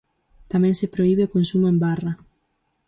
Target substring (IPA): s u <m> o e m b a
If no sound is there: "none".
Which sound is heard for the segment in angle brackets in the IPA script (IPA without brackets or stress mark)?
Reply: m